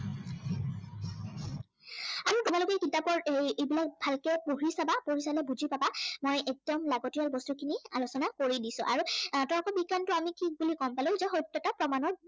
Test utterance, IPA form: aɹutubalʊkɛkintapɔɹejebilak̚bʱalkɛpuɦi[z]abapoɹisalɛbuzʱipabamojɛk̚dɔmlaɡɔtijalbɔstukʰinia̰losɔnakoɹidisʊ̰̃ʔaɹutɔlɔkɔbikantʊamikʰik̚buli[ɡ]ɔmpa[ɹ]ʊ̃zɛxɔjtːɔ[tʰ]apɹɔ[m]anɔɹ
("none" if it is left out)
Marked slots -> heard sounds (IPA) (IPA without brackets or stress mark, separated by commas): s, k, l, t, m